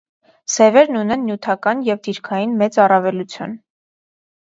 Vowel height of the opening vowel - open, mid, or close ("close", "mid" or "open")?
mid